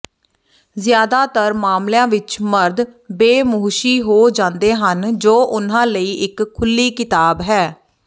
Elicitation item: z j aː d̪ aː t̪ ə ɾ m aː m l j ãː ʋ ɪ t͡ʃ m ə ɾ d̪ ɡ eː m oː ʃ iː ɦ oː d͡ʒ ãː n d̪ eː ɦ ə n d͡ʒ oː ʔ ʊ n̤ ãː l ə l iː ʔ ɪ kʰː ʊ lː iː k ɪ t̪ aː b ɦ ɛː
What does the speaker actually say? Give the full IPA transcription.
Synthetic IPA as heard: z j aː d̪ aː t̪ ə ɾ m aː m l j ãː ʋ ɪ t͡ʃ m ə ɾ d̪ b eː m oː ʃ iː ɦ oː d͡ʒ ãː n d̪ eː ɦ ə n d͡ʒ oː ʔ ʊ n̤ ãː l ə iː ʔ ɪ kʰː ʊ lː iː k ɪ t̪ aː b ɦ ɛː